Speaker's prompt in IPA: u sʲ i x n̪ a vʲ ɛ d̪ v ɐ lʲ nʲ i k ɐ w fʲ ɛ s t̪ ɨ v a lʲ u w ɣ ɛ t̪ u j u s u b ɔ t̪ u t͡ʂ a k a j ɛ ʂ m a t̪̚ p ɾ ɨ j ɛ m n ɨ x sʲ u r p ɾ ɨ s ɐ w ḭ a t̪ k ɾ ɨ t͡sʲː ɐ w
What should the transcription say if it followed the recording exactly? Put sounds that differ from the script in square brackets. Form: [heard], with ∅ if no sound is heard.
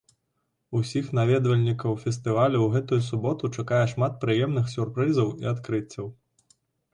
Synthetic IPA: u sʲ i x n̪ a vʲ ɛ d̪ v ɐ lʲ nʲ i k ɐ w fʲ ɛ s t̪ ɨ v a lʲ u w ɣ ɛ t̪ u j u s u b ɔ t̪ u t͡ʂ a k a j ɛ ʂ m a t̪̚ p ɾ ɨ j ɛ m n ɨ x sʲ u r p ɾ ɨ [z] ɐ w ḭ a t̪ k ɾ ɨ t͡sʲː ɐ w